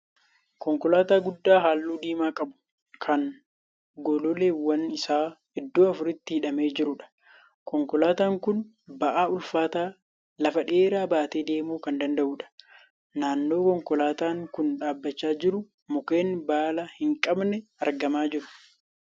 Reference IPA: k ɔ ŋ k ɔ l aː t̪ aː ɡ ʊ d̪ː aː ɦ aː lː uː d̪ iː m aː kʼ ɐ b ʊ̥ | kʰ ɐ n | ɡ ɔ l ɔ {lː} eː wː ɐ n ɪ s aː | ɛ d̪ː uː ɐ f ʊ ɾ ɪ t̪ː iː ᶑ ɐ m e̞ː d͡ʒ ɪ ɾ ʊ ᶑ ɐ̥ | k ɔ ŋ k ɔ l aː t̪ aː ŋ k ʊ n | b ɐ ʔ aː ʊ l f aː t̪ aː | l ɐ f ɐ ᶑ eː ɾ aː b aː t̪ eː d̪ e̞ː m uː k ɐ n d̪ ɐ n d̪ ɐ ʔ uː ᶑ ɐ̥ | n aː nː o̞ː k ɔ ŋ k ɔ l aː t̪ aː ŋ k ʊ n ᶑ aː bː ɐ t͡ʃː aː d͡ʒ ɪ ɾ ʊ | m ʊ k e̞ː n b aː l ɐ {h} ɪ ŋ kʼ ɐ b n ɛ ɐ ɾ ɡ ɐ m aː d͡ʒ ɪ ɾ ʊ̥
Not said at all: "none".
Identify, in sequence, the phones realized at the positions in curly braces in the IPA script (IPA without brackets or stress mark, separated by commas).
l, h